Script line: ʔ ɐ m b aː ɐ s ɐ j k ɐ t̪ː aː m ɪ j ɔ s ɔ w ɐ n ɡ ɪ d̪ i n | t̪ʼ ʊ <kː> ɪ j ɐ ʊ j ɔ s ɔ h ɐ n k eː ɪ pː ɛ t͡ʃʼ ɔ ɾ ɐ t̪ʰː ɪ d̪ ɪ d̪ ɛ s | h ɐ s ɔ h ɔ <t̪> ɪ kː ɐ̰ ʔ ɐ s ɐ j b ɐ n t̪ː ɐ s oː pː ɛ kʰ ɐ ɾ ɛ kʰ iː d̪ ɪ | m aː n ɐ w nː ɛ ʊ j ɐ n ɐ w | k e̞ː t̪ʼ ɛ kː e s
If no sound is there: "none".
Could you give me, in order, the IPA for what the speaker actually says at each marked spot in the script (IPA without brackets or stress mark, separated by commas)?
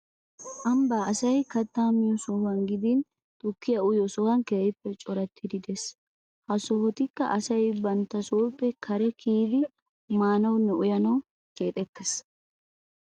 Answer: kː, t̪